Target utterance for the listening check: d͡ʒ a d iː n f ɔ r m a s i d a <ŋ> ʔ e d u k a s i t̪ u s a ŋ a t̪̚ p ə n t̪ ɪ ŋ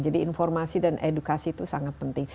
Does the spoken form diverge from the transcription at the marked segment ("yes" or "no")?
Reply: yes